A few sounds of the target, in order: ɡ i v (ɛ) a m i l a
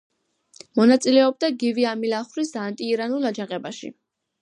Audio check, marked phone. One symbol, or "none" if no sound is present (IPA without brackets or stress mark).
i